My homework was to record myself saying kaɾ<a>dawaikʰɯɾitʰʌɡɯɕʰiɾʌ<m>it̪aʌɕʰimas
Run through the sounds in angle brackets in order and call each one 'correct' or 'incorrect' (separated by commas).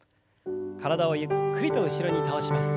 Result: correct, incorrect